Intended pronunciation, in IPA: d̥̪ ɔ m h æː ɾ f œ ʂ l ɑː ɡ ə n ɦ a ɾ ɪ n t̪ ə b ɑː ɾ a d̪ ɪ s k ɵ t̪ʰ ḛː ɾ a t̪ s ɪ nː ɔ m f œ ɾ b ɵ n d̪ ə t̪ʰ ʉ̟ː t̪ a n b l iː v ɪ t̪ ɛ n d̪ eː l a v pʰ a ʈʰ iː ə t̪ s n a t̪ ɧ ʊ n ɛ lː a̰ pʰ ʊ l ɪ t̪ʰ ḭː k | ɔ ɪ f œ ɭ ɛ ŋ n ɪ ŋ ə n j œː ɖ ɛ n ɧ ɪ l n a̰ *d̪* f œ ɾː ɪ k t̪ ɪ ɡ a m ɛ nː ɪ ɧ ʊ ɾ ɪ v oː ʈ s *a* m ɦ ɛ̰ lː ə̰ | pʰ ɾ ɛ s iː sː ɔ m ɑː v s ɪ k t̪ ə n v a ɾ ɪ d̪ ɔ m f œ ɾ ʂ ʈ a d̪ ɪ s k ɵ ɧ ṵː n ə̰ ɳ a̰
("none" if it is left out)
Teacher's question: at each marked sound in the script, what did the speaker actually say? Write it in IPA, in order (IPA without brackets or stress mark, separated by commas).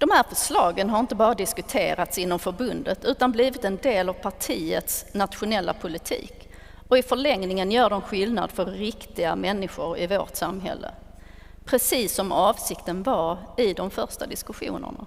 d̪, a